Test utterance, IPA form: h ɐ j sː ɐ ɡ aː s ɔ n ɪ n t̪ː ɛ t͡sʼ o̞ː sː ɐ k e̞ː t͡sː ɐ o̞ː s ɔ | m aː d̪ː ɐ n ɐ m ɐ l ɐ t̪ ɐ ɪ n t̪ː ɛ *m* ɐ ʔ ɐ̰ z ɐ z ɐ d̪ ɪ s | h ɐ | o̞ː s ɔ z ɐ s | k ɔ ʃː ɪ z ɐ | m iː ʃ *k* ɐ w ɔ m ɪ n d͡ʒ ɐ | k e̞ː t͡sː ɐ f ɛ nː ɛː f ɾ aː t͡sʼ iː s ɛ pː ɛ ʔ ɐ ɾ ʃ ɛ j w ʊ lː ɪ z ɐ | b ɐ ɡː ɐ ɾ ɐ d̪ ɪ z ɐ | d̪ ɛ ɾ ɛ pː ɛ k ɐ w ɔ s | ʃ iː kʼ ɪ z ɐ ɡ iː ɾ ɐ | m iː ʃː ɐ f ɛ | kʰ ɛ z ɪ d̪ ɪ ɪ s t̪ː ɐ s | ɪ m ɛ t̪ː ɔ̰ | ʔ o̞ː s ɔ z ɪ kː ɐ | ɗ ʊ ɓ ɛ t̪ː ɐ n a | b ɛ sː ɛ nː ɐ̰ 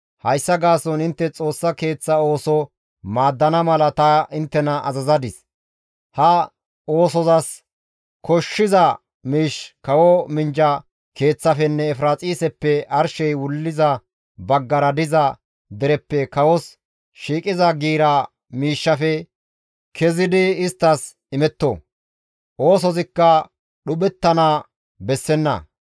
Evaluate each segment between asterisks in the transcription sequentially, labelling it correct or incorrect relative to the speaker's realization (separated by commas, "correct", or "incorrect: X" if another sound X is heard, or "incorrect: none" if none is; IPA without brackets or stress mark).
incorrect: n, correct